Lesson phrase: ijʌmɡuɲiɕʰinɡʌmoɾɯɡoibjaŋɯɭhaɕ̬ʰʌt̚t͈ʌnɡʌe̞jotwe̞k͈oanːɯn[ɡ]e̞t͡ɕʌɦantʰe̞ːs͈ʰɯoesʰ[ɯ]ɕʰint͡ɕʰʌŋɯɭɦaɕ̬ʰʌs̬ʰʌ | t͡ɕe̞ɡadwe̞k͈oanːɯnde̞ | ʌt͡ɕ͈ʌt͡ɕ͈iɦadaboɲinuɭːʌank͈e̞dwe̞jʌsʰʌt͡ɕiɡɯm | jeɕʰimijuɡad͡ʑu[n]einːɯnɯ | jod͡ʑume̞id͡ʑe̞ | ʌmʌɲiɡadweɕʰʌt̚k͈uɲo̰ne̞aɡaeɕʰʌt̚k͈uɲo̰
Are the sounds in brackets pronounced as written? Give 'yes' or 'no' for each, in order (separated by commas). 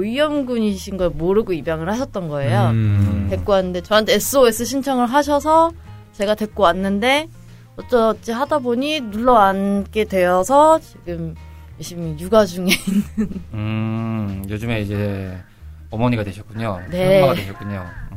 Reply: no, yes, no